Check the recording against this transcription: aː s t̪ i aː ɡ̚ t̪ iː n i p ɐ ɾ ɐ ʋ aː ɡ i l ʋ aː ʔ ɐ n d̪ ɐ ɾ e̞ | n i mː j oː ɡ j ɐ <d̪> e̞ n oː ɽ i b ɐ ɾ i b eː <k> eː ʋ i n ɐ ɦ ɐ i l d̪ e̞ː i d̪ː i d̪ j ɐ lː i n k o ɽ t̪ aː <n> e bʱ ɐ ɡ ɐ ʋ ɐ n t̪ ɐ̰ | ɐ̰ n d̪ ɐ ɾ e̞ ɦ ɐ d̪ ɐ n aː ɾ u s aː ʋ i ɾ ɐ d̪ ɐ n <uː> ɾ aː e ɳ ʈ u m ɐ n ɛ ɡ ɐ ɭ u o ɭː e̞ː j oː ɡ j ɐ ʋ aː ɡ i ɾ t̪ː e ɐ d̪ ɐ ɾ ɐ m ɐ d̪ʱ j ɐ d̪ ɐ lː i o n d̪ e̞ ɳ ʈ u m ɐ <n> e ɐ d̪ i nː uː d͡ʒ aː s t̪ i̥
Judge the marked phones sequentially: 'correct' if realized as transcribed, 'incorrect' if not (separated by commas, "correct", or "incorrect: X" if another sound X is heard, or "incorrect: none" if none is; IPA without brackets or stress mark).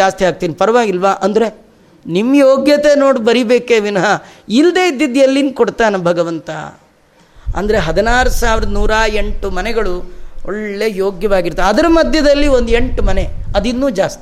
incorrect: t̪, correct, correct, correct, correct